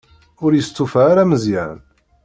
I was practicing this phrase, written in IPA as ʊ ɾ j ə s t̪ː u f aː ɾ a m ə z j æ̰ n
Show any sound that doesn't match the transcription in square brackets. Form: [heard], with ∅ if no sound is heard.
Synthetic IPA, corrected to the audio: ʊ ɾ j ə s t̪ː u f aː ɾ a m ə z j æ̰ n